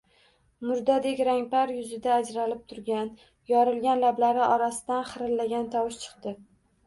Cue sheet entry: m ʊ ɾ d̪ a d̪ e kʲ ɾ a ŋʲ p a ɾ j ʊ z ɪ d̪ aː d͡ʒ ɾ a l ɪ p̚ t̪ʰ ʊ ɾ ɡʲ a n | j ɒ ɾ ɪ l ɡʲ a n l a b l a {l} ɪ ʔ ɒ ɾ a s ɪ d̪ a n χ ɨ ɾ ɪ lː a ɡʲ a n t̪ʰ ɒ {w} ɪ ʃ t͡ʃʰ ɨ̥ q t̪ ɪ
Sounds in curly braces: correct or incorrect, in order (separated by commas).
incorrect, correct